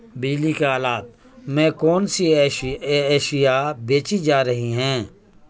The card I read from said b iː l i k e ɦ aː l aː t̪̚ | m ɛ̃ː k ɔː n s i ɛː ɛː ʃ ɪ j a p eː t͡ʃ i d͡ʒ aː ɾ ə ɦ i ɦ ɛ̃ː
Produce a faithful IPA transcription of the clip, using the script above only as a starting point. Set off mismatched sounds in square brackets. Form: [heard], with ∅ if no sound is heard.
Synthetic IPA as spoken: b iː l i k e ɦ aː l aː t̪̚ | m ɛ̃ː k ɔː n s i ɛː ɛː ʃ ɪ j a [b] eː t͡ʃ i d͡ʒ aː ɾ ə ɦ i ɦ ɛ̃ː